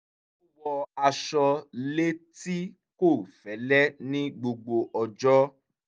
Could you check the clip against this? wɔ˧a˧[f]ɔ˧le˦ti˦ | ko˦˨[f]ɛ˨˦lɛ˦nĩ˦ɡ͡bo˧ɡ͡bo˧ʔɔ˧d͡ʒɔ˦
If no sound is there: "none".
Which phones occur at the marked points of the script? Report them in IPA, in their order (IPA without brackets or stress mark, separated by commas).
ʃ, f